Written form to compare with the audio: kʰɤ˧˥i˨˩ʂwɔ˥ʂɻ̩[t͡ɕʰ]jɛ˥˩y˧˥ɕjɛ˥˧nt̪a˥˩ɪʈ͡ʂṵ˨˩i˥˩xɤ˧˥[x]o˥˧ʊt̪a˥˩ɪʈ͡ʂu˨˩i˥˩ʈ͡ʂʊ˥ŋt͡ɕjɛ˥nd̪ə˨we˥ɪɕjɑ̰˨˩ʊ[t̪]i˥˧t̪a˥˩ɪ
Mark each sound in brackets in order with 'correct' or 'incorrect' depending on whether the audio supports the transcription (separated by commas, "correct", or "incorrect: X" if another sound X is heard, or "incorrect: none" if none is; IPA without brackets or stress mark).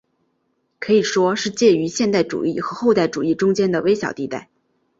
incorrect: t͡ɕ, correct, correct